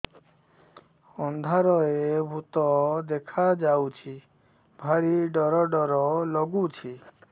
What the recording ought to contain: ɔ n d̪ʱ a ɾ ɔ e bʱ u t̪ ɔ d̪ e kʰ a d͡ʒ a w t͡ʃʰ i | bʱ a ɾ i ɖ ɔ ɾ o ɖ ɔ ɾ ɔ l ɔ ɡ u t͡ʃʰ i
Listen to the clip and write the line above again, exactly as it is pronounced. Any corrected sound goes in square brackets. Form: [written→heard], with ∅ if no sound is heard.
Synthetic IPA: ɔ n d̪ʱ a ɾ ɔ e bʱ u t̪ ɔ d̪ e kʰ a d͡ʒ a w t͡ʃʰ i | bʱ a ɾ i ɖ ɔ ɾ [o→ɔ] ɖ ɔ ɾ ɔ l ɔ ɡ u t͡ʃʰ i